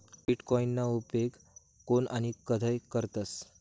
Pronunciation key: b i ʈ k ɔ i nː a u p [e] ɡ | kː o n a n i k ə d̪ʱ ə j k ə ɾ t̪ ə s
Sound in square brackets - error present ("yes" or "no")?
no